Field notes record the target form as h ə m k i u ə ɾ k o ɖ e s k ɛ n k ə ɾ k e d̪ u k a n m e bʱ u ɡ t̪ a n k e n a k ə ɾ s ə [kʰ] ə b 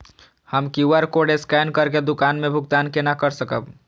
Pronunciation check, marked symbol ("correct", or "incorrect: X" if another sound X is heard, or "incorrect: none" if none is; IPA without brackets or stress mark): incorrect: k